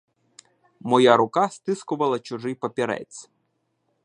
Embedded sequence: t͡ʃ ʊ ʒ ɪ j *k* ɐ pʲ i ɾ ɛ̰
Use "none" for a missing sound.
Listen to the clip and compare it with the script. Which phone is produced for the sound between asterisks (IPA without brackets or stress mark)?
p